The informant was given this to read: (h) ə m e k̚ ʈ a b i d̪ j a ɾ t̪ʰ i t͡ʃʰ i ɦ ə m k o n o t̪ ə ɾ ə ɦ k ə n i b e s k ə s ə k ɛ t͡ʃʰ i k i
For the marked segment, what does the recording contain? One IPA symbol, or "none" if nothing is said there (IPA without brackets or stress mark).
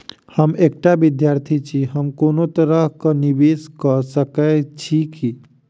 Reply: h